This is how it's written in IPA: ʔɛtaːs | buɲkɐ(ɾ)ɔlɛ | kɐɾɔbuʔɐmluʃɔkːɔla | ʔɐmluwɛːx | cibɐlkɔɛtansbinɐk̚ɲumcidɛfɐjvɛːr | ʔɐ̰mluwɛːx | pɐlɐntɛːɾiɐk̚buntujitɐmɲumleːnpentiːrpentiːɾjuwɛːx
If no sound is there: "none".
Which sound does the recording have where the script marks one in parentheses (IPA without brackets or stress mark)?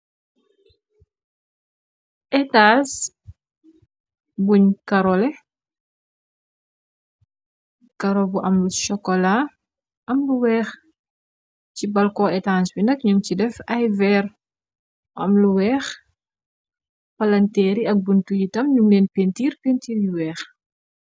ɾ